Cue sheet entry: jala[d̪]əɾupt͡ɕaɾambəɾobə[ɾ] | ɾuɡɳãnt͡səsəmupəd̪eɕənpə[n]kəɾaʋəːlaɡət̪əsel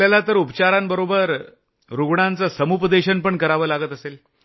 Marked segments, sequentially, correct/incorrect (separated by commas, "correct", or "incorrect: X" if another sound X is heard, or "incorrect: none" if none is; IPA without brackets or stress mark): incorrect: t̪, correct, incorrect: ɳ